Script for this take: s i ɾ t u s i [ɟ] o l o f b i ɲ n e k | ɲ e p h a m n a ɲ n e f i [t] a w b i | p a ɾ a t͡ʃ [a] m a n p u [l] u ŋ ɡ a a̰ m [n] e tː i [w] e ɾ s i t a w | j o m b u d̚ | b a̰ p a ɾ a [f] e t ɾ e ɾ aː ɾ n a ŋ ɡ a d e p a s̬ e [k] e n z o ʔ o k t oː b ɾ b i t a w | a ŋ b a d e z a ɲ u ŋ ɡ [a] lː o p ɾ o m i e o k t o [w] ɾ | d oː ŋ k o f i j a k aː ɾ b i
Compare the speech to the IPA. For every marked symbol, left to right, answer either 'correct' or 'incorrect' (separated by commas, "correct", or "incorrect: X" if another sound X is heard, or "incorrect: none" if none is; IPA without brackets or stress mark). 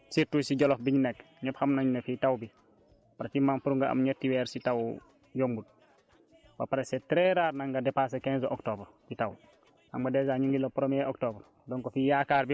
correct, correct, incorrect: i, incorrect: ɾ, incorrect: ɲ, correct, incorrect: s, correct, incorrect: i, incorrect: b